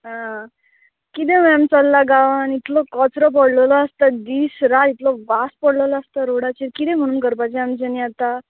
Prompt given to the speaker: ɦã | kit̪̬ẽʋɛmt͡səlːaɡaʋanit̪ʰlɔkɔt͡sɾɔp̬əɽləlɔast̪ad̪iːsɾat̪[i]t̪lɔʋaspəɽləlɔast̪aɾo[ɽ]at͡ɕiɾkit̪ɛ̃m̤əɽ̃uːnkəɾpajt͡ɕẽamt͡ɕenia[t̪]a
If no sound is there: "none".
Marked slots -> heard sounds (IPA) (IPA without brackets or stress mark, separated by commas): i, ɽ, t̪